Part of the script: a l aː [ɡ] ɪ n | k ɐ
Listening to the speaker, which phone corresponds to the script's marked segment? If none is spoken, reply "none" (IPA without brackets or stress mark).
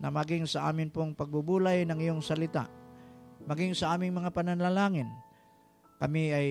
ŋ